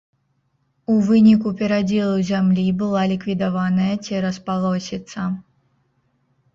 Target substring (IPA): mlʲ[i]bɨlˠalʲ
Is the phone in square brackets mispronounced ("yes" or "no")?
no